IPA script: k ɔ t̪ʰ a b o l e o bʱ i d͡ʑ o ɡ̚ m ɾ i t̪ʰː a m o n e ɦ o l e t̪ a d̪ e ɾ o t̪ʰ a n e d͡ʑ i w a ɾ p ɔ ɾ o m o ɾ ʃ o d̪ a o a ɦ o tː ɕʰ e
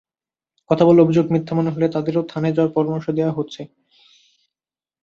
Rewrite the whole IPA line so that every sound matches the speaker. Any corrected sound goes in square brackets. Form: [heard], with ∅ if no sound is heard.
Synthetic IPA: k ɔ t̪ʰ a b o l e o bʱ i d͡ʑ o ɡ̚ m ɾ i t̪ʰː a m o n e ɦ o l e t̪ a d̪ e ɾ o t̪ʰ a n e d͡ʑ [a] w a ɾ p ɔ ɾ o m o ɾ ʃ o d̪ [e] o a ɦ o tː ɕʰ e